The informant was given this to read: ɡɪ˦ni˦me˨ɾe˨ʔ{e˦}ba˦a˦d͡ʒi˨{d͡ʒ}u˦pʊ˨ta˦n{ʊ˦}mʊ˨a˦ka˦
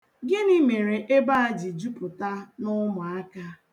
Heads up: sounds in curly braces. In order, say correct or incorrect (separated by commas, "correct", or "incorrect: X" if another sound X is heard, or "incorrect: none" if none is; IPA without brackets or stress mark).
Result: correct, correct, correct